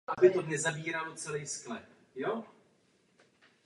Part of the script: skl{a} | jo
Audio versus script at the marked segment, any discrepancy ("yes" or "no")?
yes